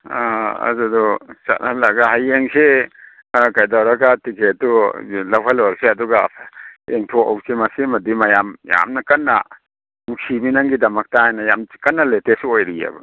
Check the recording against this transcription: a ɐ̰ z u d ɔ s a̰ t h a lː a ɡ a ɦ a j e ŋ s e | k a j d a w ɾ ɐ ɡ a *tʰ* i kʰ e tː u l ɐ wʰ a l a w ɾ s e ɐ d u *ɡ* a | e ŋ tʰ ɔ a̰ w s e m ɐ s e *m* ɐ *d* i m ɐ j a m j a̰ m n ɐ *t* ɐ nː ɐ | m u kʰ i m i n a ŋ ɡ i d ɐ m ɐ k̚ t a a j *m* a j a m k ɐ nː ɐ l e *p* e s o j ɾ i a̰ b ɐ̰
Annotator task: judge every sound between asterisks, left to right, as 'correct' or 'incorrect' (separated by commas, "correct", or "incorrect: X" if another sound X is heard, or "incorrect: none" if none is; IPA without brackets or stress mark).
incorrect: t, correct, correct, correct, incorrect: k, incorrect: n, incorrect: t